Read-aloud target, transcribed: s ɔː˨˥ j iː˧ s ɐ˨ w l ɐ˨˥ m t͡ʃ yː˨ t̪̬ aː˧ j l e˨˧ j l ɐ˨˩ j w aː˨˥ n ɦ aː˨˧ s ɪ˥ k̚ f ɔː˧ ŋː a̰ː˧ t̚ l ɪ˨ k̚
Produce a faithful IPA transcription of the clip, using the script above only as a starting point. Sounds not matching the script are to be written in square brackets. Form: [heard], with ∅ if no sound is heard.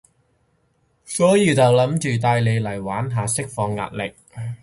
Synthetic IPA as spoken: s ɔː˨˥ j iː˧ [t͡s] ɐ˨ w l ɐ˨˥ m t͡ʃ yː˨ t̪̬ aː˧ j l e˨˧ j l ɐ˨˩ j w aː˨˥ n ɦ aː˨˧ s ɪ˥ k̚ f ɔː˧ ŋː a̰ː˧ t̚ l ɪ˨ k̚